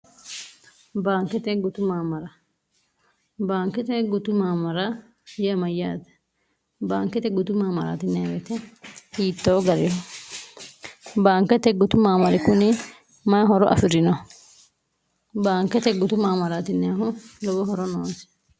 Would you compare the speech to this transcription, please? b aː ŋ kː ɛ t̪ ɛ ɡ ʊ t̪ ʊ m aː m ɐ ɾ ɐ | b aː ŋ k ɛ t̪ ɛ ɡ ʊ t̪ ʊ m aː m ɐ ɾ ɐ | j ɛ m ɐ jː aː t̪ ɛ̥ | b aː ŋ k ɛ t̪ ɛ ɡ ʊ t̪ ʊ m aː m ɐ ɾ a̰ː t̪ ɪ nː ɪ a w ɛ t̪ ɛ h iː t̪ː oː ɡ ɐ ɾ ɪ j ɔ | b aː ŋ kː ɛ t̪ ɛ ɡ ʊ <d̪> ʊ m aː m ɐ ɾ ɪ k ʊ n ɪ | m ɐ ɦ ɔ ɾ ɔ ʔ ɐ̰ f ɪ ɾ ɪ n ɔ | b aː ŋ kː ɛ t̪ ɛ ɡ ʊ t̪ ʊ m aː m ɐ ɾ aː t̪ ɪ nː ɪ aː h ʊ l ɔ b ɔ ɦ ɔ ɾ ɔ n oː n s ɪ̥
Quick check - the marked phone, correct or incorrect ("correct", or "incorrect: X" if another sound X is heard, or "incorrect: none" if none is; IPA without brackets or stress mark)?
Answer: incorrect: t̪